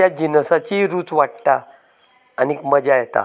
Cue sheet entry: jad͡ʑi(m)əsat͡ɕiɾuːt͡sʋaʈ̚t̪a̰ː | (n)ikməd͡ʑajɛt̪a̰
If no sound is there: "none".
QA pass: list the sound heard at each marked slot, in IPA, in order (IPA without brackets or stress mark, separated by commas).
n, n